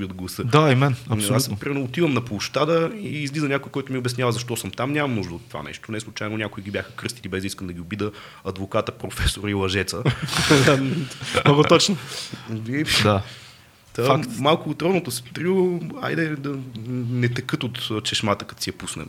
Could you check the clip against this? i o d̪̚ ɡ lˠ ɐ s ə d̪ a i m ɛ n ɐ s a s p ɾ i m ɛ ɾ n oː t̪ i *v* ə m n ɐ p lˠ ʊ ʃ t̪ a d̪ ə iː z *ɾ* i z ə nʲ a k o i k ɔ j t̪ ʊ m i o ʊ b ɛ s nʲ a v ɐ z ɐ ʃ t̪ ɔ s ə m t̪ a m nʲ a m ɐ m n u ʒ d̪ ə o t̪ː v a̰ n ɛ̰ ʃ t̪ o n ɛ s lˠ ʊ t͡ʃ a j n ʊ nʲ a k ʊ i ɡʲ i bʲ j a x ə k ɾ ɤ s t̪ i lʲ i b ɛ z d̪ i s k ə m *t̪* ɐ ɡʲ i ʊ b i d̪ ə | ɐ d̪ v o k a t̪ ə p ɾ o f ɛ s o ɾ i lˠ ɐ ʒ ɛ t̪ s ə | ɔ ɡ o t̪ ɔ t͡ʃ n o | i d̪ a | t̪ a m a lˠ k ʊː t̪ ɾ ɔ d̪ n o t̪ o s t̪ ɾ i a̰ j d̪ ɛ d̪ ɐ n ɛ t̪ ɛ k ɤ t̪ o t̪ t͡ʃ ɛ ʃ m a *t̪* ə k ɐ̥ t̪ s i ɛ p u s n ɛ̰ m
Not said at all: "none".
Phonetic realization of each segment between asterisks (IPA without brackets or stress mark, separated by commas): v, l, d̪, t̪